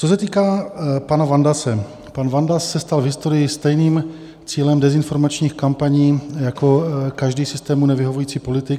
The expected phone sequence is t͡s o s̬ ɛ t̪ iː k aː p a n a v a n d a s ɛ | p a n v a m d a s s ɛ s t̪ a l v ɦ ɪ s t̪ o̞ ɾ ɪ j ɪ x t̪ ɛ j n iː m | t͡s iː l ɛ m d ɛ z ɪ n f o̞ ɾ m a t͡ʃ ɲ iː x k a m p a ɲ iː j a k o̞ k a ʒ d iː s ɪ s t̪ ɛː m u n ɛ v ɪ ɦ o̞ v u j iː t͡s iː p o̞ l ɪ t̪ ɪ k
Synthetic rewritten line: t͡s o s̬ ɛ t̪ iː k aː p a n a v a n d a s ɛ | p a n v a n d a s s ɛ s t̪ a l v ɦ ɪ s t̪ o̞ ɾ ɪ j ɪ s t̪ ɛ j n iː m | t͡s iː l ɛ m d ɛ z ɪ n f o̞ ɾ m a t͡ʃ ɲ iː x k a m p a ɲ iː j a k o̞ k a ʒ d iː s ɪ s t̪ ɛː m u n ɛ v ɪ ɦ o̞ v u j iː t͡s iː p o̞ l ɪ t̪ ɪ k

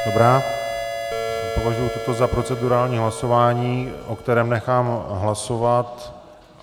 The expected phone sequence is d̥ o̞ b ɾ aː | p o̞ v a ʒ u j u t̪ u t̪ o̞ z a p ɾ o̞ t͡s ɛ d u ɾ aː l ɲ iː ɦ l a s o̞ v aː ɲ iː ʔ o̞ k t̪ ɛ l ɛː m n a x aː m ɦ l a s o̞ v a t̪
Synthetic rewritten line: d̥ o̞ b ɾ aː | p o̞ v a ʒ u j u t̪ o t̪ o̞ z a p ɾ o̞ t͡s ɛ d u ɾ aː l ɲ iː ɦ l a s o̞ v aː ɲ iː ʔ o̞ k t̪ ɛ ɾ ɛː m n ɛ x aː m ɦ l a s o̞ v a t̪

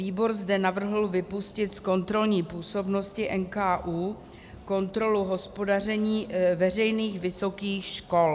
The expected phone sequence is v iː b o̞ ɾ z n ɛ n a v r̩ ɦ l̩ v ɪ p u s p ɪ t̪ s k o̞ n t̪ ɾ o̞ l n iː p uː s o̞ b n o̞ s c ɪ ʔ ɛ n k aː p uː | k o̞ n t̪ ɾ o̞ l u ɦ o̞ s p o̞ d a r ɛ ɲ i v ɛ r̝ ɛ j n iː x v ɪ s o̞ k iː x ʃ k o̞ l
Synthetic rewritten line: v iː b o̞ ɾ z d ɛ n a v r̩ ɦ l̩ v ɪ p u s c ɪ t̪ s k o̞ n t̪ ɾ o̞ l ɲ iː p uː s o̞ b n o̞ s c ɪ ʔ ɛ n k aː ʔ uː | k o̞ n t̪ ɾ o̞ l u ɦ o̞ s p o̞ d a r ɛ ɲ iː v ɛ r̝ ɛ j n iː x v ɪ s o̞ k iː x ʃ k o̞ l

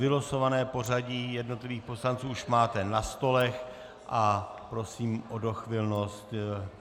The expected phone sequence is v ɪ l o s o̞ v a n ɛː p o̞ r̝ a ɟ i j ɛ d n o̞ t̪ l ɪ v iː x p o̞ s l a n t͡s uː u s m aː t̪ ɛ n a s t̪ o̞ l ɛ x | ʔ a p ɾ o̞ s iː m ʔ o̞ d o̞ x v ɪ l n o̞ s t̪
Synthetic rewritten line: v ɪ l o s o̞ v a n ɛː p o̞ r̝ a ɟ i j ɛ d n o̞ t̪ l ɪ v iː x p o̞ s l a n t͡s uː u ʃ m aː t̪ ɛ n a s t̪ o̞ l ɛ x | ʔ a p ɾ o̞ s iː m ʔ o̞ d o̞ x v ɪ l n o̞ s t̪

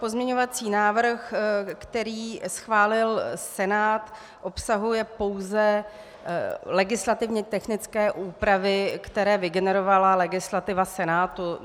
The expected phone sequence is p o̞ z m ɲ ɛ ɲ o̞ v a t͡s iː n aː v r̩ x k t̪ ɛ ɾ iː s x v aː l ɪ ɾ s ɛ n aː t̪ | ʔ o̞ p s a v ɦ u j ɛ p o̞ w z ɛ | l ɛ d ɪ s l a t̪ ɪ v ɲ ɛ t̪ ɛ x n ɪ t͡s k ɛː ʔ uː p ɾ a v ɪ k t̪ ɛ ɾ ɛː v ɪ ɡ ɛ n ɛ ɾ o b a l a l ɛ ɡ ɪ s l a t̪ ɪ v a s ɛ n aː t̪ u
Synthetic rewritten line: p o̞ z m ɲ ɛ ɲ o̞ v a t͡s iː n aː v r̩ x k t̪ ɛ ɾ iː s x v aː l ɪ l s ɛ n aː t̪ | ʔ o̞ p s a ɦ u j ɛ p o̞ w z ɛ | l ɛ ɡ ɪ s l a t̪ ɪ v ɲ ɛ t̪ ɛ x n ɪ t͡s k ɛː ʔ uː p ɾ a v ɪ k t̪ ɛ ɾ ɛː v ɪ ɡ ɛ n ɛ ɾ o v a l a l ɛ ɡ ɪ s l a t̪ ɪ v a s ɛ n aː t̪ u

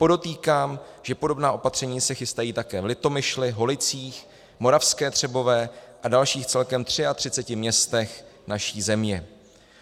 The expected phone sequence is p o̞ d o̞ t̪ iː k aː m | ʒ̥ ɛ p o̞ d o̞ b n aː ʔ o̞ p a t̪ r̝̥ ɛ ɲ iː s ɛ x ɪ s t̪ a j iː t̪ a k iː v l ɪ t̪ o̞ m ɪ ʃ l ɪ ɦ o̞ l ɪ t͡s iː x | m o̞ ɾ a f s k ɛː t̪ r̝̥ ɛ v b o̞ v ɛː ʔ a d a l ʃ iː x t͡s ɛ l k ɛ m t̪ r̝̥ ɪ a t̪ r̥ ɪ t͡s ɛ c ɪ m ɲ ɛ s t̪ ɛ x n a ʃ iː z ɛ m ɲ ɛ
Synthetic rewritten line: p o̞ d o̞ t̪ iː k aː m | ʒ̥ ɛ p o̞ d o̞ b n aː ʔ o̞ p a t̪ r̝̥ ɛ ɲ iː s ɛ x ɪ s t̪ a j iː t̪ a k ɛː v l ɪ t̪ o̞ m ɪ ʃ l ɪ ɦ o̞ l ɪ t͡s iː x | m o̞ ɾ a f s k ɛː t̪ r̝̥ ɛ b o̞ v ɛː ʔ a d a l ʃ iː x t͡s ɛ l k ɛ m t̪ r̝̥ ɪ a t̪ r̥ ɪ t͡s ɛ c ɪ m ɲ ɛ s t̪ ɛ x n a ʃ iː z ɛ m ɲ ɛ

